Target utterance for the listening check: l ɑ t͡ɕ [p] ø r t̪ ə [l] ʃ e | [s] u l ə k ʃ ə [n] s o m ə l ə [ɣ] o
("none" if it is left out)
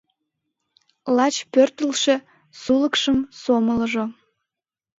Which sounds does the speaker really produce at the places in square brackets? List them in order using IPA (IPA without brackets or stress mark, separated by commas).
p, l, s, m, ʒ